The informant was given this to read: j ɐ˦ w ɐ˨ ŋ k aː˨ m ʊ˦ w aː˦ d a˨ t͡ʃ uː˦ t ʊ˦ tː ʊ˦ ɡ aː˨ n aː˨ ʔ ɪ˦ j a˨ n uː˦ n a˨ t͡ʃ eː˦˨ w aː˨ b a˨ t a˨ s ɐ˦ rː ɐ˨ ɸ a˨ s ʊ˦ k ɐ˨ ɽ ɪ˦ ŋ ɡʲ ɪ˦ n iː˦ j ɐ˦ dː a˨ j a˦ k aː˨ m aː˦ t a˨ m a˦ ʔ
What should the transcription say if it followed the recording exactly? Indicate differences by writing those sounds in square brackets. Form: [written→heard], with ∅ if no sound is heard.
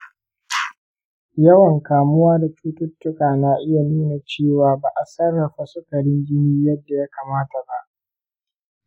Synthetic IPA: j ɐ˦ w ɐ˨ ŋ k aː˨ m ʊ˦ w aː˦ d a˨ t͡ʃ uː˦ t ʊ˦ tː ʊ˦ [ɡ→k] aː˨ n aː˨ ʔ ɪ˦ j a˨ n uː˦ n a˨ t͡ʃ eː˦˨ w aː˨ b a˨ [t→ʔ] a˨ s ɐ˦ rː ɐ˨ ɸ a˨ s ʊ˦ k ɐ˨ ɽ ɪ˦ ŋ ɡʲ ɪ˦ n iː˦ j ɐ˦ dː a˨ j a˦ k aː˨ m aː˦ t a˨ [m→b] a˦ ʔ